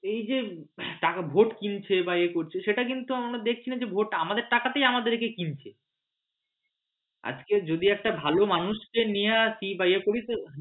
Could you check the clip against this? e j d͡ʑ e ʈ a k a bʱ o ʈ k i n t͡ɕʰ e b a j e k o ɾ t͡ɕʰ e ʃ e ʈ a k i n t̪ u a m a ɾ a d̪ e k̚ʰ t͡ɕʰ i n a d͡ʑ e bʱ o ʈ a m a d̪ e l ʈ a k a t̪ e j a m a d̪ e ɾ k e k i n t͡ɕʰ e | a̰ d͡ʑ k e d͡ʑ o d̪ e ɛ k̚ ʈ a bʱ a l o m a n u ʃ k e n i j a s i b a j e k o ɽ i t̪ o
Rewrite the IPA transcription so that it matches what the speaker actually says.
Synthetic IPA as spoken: e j d͡ʑ e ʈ a k a bʱ o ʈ k i n t͡ɕʰ e b a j e k o ɾ t͡ɕʰ e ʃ e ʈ a k i n t̪ u a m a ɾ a d̪ e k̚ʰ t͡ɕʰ i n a d͡ʑ e bʱ o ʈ a m a d̪ e ɾ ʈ a k a t̪ e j a m a d̪ e ɾ k e k i n t͡ɕʰ e | a̰ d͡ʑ k e d͡ʑ o d̪ i ɛ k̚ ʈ a bʱ a l o m a n u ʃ k e n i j a s i b a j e k o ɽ i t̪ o